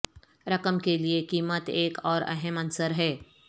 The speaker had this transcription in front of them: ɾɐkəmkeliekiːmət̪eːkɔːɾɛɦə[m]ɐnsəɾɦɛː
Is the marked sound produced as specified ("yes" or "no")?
yes